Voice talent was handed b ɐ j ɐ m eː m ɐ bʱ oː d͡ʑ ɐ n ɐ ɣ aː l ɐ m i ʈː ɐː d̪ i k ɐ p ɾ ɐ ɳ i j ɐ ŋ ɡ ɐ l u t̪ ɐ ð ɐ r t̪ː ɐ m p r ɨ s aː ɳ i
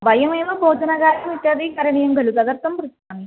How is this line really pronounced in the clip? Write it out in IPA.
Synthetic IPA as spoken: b ɐ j ɐ m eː m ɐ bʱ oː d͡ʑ ɐ n ɐ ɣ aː ɾ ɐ m i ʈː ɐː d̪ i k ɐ ɾ ɐ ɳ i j ɐ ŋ ɡ ɐ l u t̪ ɐ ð ɐ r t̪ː ɐ m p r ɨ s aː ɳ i